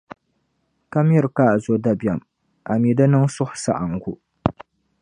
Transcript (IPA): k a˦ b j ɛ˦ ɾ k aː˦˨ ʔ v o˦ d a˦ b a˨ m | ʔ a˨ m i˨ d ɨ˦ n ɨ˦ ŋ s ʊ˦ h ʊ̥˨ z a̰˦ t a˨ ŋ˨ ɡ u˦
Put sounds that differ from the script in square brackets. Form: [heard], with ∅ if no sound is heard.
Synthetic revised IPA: k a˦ [m] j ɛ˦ ɾ k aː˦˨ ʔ [z] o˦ d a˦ b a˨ m | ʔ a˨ m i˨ d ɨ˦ n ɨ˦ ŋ s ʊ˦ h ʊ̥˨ [s] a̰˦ [ʔ] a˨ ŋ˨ ɡ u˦